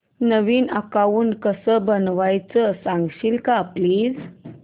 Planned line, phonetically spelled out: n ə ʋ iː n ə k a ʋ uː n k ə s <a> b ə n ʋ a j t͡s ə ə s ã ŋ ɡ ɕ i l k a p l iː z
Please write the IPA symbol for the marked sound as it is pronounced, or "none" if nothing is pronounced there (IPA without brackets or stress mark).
ə